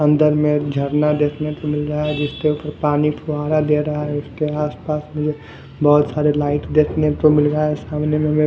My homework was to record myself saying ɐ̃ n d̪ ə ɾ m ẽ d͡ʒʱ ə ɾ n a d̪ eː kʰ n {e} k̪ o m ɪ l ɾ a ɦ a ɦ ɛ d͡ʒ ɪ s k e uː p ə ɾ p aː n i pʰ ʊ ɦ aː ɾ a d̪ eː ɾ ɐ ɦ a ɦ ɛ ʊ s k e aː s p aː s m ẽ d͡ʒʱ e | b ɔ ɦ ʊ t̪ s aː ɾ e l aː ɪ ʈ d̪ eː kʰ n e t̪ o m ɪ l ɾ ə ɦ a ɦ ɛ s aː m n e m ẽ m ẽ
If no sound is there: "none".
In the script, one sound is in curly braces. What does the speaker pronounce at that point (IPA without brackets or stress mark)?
e